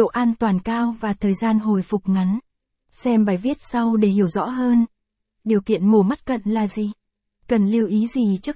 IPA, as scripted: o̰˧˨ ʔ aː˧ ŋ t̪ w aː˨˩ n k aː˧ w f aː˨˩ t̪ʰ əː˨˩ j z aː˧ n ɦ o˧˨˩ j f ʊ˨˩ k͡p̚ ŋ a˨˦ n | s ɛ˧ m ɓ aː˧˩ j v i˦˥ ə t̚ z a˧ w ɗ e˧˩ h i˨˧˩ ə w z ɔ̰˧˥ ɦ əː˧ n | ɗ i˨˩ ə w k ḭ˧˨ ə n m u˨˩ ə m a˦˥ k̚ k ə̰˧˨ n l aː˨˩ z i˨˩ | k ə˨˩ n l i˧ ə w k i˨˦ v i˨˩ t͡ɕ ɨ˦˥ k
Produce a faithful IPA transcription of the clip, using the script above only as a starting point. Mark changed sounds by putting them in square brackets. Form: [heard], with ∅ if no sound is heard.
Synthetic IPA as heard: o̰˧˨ ʔ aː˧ [n] t̪ w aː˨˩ n k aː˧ w [v] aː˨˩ t̪ʰ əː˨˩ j z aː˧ n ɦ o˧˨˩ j f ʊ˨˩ k͡p̚ ŋ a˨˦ n | s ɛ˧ m ɓ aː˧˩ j v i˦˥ ə t̚ [s] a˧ w ɗ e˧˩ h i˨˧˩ ə w z ɔ̰˧˥ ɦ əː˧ n | ɗ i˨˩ ə w k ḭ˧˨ ə n m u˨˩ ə m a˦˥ [t̚] k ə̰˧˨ n l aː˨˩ z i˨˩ | k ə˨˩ n l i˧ ə w [ʔ] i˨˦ [z] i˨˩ t͡ɕ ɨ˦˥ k